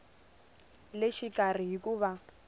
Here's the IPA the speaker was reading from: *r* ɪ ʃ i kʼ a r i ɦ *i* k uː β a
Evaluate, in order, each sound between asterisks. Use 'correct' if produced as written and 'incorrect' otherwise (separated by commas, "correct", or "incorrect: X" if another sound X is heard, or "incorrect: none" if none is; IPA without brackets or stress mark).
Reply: incorrect: l, correct